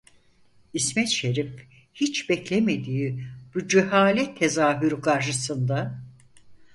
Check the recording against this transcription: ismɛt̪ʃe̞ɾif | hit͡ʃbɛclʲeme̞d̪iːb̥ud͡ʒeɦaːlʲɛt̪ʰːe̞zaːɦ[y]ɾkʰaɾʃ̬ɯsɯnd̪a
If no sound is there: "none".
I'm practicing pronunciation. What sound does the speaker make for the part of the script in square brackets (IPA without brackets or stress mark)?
y